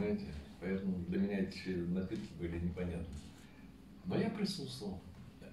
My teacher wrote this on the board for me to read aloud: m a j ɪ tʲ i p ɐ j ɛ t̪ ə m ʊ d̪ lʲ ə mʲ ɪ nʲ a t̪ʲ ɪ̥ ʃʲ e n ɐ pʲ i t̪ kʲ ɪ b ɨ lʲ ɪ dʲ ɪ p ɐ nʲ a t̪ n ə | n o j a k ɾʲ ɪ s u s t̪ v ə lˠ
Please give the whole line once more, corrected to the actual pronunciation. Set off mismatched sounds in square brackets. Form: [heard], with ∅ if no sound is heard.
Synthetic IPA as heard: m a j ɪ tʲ [ɪ] p ɐ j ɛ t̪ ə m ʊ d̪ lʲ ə mʲ ɪ nʲ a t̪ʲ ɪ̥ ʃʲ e n ɐ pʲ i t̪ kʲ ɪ b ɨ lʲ ɪ [nʲ] ɪ p ɐ nʲ a t̪ n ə | n o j a [p] ɾʲ ɪ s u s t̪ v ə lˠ